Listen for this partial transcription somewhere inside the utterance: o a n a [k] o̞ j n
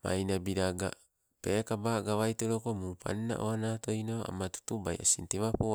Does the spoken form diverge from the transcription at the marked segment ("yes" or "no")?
yes